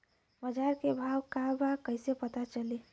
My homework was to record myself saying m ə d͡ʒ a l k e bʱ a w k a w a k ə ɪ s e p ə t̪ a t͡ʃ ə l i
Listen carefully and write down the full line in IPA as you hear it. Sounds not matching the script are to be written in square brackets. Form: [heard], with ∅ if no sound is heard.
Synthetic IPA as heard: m ə d͡ʒ a [ɾ] k e bʱ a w k a [b] a k ə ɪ s e p ə t̪ a t͡ʃ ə l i